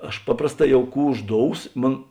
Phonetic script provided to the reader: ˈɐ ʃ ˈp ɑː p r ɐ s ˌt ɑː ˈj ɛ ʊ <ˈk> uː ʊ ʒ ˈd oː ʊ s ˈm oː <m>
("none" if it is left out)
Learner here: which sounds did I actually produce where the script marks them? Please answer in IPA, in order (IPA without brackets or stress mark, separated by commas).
k, n